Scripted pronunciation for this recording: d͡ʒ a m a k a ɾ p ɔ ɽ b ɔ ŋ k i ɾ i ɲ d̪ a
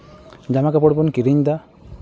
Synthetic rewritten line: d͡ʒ a m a k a p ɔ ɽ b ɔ n k i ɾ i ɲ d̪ a